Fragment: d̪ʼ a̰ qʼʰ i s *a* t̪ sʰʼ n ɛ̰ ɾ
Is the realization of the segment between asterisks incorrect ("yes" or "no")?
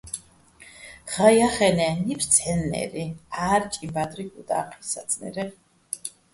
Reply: no